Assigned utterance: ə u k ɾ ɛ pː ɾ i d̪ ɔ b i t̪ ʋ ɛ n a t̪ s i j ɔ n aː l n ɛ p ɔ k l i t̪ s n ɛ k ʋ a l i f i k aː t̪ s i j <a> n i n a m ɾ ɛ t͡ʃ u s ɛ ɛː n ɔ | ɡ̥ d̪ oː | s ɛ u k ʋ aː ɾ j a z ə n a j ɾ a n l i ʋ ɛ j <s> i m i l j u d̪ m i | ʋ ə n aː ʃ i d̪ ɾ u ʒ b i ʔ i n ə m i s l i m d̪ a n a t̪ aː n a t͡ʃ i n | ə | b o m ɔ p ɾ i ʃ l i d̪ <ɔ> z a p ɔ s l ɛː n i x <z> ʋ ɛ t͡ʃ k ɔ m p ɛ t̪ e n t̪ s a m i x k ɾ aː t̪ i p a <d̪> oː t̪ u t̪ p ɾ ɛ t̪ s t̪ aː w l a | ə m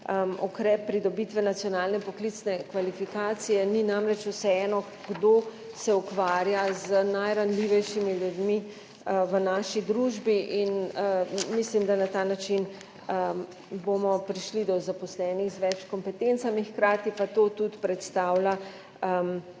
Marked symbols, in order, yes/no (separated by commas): no, no, yes, yes, no